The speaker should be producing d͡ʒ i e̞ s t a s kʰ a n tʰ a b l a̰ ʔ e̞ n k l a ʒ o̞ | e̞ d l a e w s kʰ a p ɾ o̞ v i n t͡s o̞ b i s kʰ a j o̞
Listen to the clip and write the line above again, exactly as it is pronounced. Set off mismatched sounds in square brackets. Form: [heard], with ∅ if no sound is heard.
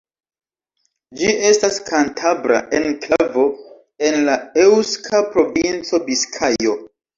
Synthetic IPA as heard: d͡ʒ i e̞ s t a s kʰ a n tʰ a b [ɾ] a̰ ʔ e̞ n k l a [v] o̞ | e̞ [n] l a e w s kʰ a p ɾ o̞ v i n t͡s o̞ b i s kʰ a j o̞